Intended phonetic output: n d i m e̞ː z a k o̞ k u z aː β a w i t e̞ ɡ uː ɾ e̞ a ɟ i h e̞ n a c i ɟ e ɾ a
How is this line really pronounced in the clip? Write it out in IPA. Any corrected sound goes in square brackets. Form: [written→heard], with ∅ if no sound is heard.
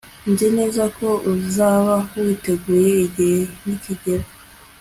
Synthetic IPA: n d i [m→n] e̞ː z a k o̞ [k→∅] u z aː β a w i t e̞ ɡ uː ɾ e̞ [a→i] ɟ i h e̞ n [a→i] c i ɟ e ɾ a